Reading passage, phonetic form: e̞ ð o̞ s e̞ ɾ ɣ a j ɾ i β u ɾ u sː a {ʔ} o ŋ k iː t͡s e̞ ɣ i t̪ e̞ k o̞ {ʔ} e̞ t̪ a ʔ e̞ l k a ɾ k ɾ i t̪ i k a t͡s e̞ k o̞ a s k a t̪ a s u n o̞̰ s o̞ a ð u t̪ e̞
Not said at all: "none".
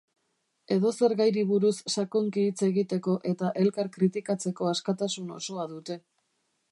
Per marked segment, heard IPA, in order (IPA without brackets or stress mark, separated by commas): k, ʔ